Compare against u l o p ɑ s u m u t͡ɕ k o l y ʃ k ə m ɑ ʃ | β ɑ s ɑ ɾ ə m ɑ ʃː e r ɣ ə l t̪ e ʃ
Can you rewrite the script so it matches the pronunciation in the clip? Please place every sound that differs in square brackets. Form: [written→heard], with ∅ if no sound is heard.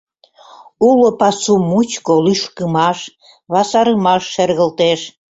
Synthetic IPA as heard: u l o p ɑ s u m u t͡ɕ k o l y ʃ k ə m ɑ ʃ | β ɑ s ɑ ɾ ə m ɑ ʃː e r ɣ ə l t̪ e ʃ